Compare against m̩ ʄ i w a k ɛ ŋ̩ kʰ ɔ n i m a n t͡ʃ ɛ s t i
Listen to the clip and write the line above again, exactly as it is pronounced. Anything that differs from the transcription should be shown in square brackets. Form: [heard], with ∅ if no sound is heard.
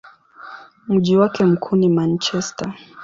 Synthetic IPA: m̩ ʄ i w a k ɛ [m̩] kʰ [u] n i m a n t͡ʃ ɛ s t [a]